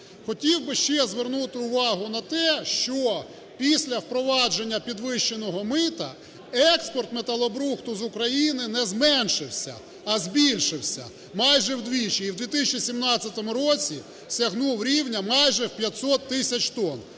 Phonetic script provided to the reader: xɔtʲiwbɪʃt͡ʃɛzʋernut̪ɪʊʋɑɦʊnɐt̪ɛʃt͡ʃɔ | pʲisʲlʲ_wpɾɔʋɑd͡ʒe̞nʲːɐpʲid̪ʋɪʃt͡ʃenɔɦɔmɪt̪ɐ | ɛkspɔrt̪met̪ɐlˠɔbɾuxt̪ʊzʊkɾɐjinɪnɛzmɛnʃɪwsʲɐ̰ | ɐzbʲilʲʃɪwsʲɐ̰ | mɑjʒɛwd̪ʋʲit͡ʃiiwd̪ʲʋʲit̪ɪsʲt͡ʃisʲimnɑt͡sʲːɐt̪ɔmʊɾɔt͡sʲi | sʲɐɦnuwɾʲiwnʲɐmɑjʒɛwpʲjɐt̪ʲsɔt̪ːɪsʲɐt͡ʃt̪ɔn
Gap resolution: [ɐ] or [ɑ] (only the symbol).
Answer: ɐ